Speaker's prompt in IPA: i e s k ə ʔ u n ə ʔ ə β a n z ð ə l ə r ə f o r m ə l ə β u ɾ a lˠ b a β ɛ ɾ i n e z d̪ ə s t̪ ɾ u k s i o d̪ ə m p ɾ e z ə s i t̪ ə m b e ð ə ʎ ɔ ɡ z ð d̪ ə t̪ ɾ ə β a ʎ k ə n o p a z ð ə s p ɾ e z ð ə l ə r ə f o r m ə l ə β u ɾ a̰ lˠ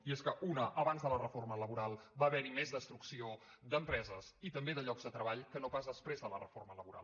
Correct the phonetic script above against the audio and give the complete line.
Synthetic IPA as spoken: i e s k ə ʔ u n ə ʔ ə β a n z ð ə l ə r ə f o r m ə l ə β u ɾ a lˠ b a β ɛ ɾ i m e z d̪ ə s t̪ ɾ u k s i o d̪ ə m p ɾ ɛ z ə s i t̪ ə m b e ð ə ʎ ɔ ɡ z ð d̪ ə t̪ ɾ ə β a ʎ k ə n o p a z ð ə s p ɾ e z ð ə l ə r ə f o r m ə l ə β u ɾ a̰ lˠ

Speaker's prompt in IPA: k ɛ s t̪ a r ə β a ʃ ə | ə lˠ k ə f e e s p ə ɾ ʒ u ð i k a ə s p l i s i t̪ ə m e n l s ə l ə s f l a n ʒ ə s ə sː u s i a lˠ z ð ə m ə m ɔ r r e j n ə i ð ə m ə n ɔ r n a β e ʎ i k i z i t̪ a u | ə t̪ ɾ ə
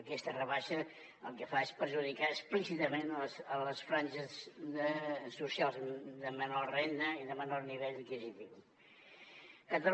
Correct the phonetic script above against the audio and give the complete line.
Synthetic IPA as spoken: k ɛ s t̪ ə r ə β a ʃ ə | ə lˠ k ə f a e s p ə ɾ ʒ u ð i k a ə s p l i s i t̪ ə m e n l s ə l ə s f ɾ a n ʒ ə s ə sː u s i a lˠ z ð ə m ə n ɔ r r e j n ə i ð ə m ə n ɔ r n i β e ʎ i k i z i t̪ i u | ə t̪ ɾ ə

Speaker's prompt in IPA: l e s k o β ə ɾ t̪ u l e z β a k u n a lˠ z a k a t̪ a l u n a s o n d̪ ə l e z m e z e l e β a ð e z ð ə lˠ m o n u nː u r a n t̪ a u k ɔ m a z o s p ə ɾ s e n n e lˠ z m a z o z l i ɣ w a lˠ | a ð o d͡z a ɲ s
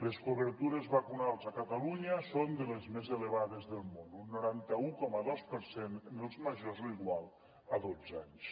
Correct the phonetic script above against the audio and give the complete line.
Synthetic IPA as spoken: l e s k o β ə ɾ t̪ u ɾ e z β a k u n a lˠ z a k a t̪ a l u ɲ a s o n d̪ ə l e z m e z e l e β a ð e z ð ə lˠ m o n u nː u ɾ a n t̪ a u k ɔ m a ð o s p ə ɾ s e n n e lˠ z m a ʒ o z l i ɣ w a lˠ | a ð o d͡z a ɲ s

